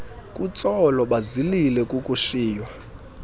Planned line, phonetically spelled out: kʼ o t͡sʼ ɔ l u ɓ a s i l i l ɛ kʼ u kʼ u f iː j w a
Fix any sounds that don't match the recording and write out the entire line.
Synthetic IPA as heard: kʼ u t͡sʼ ɔ l ɔ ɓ a z i l i l ɛ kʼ u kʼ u ʃ iː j w a

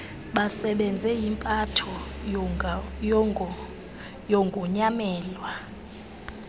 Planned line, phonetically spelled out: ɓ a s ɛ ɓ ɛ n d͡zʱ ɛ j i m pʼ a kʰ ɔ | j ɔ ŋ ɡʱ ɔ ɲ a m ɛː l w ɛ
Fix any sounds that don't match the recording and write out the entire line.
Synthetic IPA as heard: ɓ a s ɛ ɓ ɛ n d͡zʱ ɛ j i m pʼ a tʰ ɔ | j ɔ ŋ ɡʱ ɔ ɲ a m ɛː l w a

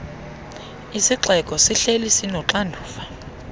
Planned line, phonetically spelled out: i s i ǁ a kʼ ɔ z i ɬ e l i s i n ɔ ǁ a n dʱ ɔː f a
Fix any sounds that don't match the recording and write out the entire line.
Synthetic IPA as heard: i s i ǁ ɛ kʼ ɔ s i ɬ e l i s i n ɔ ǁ a n dʱ uː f a

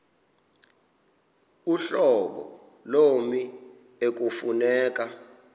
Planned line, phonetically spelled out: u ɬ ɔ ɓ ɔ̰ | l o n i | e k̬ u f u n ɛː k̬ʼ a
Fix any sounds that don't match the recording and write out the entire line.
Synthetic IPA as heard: u ɬ ɔ ɓ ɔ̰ | l o m i | e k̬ u f u n ɛː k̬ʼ a

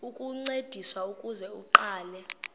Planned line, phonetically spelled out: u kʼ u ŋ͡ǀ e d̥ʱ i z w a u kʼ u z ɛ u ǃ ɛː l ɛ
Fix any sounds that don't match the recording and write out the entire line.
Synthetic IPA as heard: u kʼ u ŋ͡ǀ e d̥ʱ i s w a u kʼ u z ɛ u ǃ aː l ɛ

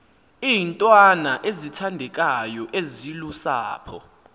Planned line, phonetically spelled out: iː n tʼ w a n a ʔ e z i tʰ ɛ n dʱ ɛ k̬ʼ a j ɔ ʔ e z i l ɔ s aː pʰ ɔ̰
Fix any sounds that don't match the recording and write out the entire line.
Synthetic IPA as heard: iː n tʼ w a n a ʔ e z i tʰ a n dʱ ɛ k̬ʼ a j ɔ ʔ e z i l u s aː pʰ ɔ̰

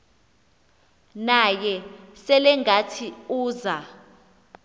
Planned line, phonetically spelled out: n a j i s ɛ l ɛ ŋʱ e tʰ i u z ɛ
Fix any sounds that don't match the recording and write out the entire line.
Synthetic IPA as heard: n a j ɛ s ɛ l ɛ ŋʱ a tʰ i uː z a

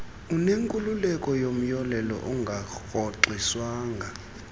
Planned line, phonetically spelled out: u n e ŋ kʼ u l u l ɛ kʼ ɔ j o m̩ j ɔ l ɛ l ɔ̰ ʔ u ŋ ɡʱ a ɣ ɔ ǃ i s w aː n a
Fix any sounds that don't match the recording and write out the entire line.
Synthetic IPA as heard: u n e ŋ kʼ u l u l ɛ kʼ ɔ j o m̩ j ɔ l ɛ l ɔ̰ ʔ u ŋ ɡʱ a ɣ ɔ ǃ i s w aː ŋ a

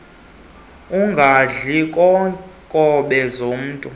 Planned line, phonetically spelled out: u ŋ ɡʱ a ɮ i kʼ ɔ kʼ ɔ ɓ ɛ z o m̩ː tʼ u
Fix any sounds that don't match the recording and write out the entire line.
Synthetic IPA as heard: u ŋ ɡʱ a ɮ i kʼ ɔ kʼ ɔ ɓ ɛ z o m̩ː tʼ u

